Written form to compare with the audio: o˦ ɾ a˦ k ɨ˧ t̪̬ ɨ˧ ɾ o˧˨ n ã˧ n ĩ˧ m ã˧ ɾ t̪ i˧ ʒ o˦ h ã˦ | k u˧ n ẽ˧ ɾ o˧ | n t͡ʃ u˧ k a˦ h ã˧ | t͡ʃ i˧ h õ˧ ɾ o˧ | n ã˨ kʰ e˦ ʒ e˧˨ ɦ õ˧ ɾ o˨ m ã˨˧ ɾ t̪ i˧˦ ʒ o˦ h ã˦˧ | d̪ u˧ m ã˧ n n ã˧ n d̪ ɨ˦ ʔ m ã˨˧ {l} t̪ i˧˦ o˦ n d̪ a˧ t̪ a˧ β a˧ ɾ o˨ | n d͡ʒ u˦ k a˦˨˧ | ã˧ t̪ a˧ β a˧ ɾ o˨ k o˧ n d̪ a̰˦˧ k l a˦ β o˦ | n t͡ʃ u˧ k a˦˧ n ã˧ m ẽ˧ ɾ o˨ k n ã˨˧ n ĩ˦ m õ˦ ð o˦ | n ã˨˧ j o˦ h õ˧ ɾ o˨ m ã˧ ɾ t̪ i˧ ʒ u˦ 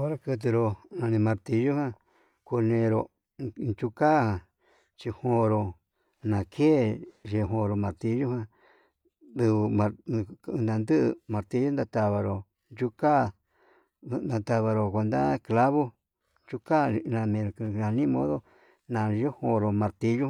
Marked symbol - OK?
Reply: no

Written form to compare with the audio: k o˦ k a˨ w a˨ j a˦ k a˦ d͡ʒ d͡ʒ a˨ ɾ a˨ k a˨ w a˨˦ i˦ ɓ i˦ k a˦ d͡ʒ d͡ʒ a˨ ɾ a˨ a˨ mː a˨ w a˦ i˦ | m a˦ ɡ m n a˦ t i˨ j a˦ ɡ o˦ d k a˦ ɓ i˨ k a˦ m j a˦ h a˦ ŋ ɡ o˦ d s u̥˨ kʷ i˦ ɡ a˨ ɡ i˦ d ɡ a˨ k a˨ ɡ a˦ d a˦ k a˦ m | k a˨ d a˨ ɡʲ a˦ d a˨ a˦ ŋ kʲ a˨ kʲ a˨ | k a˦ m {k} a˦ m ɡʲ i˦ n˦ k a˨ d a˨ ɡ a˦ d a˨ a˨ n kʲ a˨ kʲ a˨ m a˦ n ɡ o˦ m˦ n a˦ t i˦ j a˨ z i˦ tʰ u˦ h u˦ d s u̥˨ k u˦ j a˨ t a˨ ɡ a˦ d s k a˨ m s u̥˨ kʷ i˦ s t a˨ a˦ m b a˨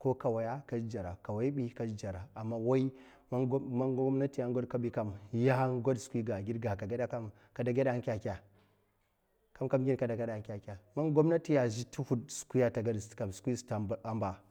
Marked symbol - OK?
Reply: yes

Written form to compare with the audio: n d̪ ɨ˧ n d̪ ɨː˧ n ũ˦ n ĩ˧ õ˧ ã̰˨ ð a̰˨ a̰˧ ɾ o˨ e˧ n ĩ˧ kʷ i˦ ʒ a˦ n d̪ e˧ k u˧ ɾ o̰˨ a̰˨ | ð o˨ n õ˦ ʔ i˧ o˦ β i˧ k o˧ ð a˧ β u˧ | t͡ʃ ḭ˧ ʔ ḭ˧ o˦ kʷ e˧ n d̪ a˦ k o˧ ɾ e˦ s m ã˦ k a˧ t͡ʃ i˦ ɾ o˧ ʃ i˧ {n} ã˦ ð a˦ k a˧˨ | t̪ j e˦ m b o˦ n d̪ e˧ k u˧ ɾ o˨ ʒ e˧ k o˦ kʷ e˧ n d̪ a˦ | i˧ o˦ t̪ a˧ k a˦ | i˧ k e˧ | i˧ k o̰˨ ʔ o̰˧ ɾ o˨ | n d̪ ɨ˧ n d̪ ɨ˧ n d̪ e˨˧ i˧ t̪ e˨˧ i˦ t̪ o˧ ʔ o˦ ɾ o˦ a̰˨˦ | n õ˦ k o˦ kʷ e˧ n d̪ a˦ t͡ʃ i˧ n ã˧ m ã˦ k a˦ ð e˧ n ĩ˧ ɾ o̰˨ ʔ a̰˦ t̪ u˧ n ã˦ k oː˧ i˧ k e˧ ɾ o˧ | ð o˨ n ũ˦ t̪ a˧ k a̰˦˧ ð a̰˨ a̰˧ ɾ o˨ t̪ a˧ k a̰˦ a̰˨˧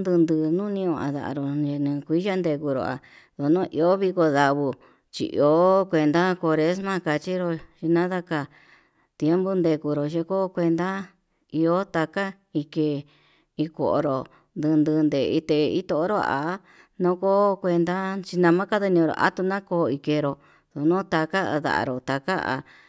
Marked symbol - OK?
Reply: yes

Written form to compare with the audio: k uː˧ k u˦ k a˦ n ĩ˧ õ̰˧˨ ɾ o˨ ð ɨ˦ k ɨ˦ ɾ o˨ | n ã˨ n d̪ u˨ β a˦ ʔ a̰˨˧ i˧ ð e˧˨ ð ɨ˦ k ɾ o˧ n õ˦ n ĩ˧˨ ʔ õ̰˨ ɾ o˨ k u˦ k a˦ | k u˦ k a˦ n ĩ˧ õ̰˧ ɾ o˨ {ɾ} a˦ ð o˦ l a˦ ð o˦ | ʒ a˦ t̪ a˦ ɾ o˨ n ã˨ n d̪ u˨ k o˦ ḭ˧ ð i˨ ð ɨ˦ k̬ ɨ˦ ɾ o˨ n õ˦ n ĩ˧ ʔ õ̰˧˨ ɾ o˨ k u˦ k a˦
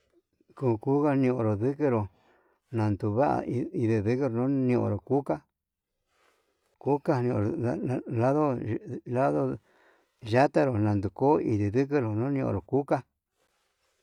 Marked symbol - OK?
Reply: no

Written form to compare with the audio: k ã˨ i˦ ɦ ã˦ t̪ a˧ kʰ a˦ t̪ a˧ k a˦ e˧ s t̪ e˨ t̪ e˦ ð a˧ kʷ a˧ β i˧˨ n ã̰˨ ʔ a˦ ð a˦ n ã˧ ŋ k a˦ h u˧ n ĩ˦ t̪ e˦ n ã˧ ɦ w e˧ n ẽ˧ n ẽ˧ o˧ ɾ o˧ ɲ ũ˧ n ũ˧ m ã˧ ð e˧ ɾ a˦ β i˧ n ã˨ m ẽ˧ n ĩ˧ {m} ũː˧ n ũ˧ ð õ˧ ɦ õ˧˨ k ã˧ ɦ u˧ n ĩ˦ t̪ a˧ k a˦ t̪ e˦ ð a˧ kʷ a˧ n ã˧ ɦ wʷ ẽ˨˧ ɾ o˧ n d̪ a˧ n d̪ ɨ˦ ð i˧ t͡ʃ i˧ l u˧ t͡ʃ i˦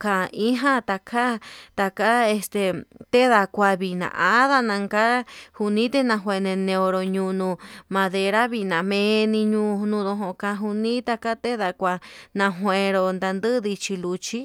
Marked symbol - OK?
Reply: no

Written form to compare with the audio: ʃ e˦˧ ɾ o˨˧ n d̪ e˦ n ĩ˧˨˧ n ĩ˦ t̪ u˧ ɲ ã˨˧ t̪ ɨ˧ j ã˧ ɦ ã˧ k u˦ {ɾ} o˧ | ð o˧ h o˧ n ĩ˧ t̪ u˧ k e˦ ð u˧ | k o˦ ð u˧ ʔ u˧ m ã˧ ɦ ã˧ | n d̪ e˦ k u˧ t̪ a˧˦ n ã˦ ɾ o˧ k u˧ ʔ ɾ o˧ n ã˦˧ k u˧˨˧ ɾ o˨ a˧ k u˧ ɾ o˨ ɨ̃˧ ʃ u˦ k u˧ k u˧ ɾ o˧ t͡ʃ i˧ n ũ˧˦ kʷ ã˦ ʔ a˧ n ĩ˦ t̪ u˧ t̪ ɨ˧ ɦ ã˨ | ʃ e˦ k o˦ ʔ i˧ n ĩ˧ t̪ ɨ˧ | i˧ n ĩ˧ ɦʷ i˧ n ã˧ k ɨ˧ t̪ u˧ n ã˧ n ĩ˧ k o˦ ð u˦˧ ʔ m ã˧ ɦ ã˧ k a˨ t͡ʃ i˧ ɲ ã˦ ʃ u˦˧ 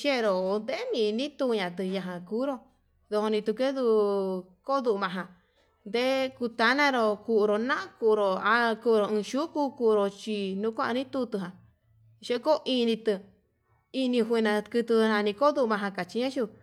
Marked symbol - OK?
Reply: yes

